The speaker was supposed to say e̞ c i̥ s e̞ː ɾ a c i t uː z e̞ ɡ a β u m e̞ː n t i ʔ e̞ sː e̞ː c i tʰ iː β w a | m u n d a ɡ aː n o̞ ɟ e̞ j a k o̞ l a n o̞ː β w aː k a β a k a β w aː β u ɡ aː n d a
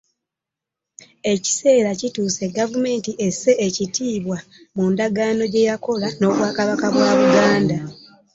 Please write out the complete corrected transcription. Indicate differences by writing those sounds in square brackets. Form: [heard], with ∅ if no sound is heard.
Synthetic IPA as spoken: e̞ c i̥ s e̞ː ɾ a c i t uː [s] e̞ ɡ a [v] u m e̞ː n t i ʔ e̞ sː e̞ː c i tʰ iː β w a | m u n d a ɡ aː n o̞ ɟ e̞ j a k o̞ l a n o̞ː β w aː k a β a k a β w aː β u ɡ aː n d a